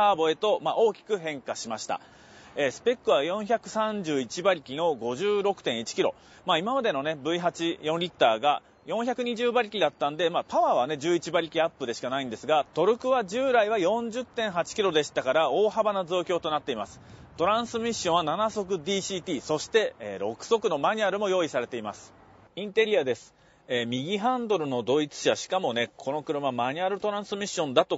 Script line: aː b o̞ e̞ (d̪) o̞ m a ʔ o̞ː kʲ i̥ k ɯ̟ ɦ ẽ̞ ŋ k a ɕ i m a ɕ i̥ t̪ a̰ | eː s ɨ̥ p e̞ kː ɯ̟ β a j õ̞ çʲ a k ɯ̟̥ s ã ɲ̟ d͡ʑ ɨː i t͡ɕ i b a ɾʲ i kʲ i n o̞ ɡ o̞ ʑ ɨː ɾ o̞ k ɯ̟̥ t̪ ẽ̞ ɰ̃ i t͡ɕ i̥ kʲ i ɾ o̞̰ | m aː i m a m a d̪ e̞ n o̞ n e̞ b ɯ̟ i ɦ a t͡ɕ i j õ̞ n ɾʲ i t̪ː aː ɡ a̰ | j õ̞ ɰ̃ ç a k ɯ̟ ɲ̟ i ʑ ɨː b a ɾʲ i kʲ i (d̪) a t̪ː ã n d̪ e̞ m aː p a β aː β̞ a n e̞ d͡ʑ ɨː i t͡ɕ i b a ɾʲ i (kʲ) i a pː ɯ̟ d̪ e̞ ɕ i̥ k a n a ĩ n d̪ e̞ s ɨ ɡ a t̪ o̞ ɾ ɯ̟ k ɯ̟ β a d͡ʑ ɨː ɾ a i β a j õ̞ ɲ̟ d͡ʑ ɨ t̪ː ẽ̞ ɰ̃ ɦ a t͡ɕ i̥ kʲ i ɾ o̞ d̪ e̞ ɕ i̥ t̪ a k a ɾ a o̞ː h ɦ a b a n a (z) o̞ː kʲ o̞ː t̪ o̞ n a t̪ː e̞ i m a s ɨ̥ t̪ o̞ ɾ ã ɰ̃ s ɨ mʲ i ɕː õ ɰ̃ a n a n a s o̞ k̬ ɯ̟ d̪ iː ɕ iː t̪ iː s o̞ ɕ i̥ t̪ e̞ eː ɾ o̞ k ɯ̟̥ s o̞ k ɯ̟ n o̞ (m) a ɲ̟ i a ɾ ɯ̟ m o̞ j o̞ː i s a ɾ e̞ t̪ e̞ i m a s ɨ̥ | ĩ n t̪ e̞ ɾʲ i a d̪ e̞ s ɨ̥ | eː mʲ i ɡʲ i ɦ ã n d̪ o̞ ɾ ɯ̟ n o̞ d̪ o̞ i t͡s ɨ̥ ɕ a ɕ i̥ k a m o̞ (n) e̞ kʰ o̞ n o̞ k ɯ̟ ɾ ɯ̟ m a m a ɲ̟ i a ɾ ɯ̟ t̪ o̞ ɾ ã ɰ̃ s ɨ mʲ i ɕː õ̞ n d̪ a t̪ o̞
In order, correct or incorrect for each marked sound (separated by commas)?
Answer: incorrect, correct, correct, correct, correct, correct